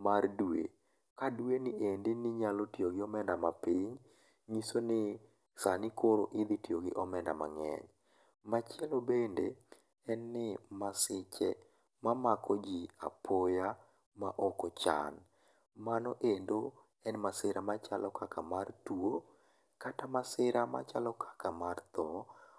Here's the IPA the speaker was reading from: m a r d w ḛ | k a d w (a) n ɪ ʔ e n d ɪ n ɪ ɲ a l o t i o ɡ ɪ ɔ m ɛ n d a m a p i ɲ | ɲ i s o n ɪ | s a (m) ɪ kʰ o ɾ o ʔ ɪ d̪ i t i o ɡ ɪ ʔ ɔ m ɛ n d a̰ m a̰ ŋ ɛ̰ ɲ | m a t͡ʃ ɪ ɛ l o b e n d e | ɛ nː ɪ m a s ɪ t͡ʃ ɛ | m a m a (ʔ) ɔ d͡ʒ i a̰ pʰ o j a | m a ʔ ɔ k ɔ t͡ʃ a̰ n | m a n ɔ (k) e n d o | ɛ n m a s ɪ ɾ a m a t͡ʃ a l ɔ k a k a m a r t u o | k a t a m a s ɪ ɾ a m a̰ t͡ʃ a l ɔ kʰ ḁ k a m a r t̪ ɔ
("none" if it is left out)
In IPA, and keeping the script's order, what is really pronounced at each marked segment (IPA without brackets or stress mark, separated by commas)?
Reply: e, n, k, ʔ